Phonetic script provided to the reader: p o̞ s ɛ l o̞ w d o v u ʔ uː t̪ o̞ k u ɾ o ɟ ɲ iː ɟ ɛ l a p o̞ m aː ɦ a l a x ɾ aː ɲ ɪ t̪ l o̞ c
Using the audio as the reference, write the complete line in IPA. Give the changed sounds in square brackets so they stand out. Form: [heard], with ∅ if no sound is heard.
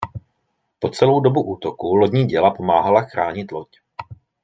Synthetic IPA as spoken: p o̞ [t͡s] ɛ l o̞ w d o [b] u ʔ uː t̪ o̞ k u [l] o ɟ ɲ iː ɟ ɛ l a p o̞ m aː ɦ a l a x ɾ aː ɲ ɪ t̪ l o̞ c